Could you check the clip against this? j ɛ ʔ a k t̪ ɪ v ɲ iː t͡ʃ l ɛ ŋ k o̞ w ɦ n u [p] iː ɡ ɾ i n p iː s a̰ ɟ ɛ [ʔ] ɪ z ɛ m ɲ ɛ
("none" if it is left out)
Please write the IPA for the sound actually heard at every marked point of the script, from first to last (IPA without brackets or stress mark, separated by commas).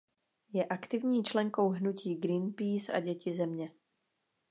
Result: c, c